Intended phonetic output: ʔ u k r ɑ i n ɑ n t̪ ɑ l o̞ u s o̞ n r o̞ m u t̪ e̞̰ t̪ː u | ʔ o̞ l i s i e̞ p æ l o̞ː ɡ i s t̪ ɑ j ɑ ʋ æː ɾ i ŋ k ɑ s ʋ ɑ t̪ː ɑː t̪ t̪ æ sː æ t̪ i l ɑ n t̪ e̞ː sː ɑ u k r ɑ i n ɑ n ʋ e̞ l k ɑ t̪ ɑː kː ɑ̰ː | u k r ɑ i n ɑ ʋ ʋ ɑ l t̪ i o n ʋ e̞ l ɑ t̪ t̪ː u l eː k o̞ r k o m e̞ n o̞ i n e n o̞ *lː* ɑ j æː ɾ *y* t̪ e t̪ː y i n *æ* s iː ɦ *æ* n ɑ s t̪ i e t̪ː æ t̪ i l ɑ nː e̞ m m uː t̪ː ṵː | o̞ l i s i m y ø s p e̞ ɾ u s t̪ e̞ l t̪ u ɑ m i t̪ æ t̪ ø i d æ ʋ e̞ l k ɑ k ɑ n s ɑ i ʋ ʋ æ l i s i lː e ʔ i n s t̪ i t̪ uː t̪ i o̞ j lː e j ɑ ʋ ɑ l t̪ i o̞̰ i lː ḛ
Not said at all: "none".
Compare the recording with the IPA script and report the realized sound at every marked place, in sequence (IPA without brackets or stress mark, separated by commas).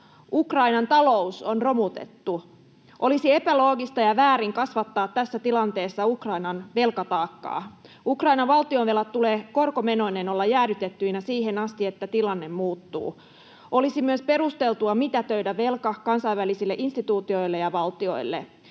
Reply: lː, y, æ, e